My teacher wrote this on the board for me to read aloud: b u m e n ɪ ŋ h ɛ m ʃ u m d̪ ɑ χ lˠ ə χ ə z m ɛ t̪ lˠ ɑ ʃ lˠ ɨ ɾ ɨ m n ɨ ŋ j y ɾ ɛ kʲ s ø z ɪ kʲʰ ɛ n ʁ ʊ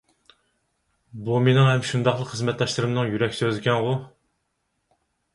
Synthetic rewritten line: b u m e n ɪ ŋ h ɛ m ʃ u n d̪ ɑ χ lˠ ə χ ə z m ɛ t̪ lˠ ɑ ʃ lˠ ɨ ɾ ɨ m n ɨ ŋ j y ɾ ɛ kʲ s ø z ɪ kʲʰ ɛ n ʁ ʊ